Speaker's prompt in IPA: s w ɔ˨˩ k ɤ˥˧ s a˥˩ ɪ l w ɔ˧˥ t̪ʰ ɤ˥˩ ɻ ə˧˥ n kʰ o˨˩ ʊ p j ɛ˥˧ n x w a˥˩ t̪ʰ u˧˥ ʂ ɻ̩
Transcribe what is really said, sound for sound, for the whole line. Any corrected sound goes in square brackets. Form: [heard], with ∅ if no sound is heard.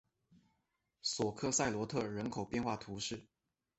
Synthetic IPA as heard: s w ɔ˨˩ [kʰ] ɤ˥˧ s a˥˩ ɪ l w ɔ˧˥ t̪ʰ ɤ˥˩ ɻ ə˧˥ n kʰ o˨˩ ʊ p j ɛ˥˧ n x w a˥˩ t̪ʰ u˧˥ ʂ ɻ̩